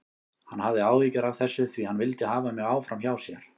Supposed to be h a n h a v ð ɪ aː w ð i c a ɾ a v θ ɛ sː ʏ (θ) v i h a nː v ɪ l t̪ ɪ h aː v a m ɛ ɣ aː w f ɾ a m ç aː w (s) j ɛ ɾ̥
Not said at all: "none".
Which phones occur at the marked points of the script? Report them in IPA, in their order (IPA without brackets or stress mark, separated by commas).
θ, s